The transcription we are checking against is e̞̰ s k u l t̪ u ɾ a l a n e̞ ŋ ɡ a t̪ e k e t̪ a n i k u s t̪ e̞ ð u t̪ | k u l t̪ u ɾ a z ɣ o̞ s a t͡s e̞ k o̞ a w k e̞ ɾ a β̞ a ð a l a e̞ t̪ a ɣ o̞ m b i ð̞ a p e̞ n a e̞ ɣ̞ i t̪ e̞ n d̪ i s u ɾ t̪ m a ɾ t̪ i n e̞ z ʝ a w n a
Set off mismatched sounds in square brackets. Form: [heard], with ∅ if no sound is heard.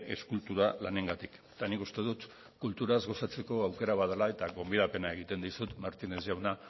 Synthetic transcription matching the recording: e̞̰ s k u l t̪ u ɾ a l a n e̞ ŋ ɡ a t̪ [i] k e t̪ a n i k u s t̪ e̞ ð u t̪ | k u l t̪ u ɾ a z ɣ o̞ s a t͡s e̞ k o̞ a w k e̞ ɾ a β̞ a ð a l a e̞ t̪ a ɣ o̞ m b i ð̞ a p e̞ n a e̞ ɣ̞ i t̪ e̞ n d̪ i s u [∅] t̪ m a ɾ t̪ i n e̞ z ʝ a w n a